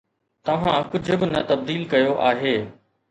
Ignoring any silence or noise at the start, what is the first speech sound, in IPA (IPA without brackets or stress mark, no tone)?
t̪